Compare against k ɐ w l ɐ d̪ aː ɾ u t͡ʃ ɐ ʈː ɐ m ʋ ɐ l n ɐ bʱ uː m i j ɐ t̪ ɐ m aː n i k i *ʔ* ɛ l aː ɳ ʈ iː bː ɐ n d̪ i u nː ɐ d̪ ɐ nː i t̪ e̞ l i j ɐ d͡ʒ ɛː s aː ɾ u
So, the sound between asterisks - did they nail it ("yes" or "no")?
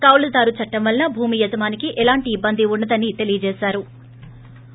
yes